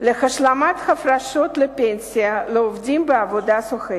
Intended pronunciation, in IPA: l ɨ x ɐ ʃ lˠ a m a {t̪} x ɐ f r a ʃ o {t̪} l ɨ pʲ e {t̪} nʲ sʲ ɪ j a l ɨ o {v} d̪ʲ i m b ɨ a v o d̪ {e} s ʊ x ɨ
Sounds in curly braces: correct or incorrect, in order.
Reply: correct, correct, incorrect: none, correct, incorrect: a

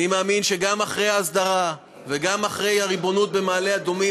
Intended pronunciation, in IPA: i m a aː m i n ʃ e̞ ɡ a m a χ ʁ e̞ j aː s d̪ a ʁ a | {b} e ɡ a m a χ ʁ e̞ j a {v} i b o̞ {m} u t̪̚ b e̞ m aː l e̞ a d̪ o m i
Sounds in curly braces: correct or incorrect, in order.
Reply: incorrect: v, incorrect: ʁ, incorrect: n

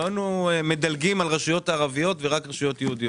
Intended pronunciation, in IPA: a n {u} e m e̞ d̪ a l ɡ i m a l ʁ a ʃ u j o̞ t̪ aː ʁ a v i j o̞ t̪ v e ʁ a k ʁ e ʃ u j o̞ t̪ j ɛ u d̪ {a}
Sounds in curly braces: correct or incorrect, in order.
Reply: correct, incorrect: i

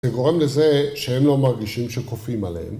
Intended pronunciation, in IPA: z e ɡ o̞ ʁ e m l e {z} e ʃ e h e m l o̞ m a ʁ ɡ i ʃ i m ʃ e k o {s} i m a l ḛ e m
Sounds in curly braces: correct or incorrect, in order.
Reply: correct, incorrect: f

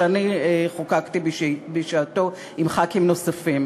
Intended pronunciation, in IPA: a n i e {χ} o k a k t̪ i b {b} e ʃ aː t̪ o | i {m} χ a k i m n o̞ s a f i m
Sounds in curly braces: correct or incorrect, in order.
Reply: correct, correct, correct

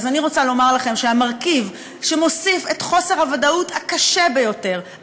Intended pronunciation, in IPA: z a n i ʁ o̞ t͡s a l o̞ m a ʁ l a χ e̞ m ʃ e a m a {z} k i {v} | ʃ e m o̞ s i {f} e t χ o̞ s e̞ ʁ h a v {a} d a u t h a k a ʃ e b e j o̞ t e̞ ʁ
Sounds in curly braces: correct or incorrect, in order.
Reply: incorrect: ʁ, correct, correct, correct

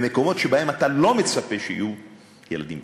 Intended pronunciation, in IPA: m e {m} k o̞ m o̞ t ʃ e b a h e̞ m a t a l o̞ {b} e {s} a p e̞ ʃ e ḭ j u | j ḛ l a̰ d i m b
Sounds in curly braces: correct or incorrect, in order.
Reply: incorrect: none, incorrect: m, incorrect: t͡s

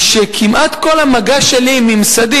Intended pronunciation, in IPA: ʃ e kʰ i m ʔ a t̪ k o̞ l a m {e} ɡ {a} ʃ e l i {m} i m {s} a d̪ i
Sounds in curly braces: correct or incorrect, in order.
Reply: incorrect: a, correct, correct, correct

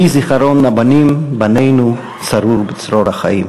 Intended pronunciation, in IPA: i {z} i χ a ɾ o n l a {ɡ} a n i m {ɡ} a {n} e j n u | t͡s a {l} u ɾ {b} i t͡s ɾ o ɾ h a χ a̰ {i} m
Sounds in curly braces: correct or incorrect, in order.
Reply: correct, incorrect: b, incorrect: b, correct, incorrect: ɾ, correct, correct

